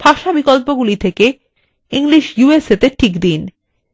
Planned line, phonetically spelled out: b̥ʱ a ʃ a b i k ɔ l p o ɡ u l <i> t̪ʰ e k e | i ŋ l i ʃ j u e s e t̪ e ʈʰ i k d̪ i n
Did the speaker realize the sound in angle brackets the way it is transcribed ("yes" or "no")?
yes